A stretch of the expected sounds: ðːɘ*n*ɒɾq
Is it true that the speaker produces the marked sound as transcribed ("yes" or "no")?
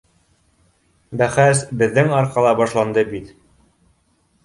no